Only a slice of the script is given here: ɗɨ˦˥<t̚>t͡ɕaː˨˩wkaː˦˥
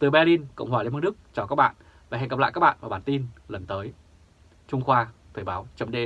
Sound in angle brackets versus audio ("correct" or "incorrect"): incorrect